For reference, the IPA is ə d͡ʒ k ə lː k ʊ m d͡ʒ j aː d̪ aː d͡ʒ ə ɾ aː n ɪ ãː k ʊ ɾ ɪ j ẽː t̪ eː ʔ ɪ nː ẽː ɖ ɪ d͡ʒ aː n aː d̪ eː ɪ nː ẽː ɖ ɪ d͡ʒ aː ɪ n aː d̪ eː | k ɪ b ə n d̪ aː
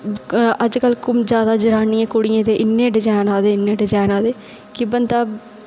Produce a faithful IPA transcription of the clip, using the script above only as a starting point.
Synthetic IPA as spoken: ə d͡ʒ k ə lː k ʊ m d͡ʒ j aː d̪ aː d͡ʒ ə ɾ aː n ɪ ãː k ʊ ɽ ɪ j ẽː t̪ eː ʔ ɪ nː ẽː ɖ ɪ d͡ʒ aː n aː d̪ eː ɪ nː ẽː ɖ ɪ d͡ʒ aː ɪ n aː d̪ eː | k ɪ b ə n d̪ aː